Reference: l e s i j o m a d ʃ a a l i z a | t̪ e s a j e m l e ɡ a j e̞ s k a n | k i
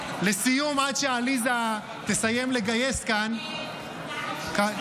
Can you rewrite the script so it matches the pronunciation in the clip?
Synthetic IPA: l e s i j u m a d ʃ e a l i z a | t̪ e s a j e m l e ɡ a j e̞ s k a n | k a